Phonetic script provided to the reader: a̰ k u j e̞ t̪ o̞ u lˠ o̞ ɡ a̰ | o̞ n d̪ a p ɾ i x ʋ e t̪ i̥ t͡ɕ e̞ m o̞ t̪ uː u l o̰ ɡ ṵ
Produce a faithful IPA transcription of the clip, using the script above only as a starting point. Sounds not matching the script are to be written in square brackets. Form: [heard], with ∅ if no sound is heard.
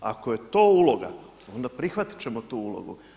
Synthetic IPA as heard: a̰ k [o] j e̞ t̪ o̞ u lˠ o̞ ɡ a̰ | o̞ n d̪ a p ɾ i x ʋ [a] t̪ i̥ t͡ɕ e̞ m o̞ t̪ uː u l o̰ ɡ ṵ